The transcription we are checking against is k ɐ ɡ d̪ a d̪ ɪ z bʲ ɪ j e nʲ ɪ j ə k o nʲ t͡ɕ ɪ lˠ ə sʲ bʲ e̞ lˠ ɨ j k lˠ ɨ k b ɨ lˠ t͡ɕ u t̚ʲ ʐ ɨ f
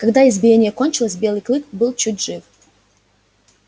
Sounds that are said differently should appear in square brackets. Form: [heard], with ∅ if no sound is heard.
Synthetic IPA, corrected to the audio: k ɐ ɡ d̪ a [∅] ɪ z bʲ ɪ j e nʲ ɪ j ə k o nʲ t͡ɕ ɪ lˠ ə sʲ bʲ e̞ lˠ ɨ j k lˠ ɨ k b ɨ lˠ t͡ɕ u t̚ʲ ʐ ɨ f